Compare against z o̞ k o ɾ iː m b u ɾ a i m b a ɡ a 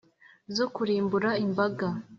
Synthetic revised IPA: z o̞ k u ɾ iː m b u ɾ a i m b a ɡ a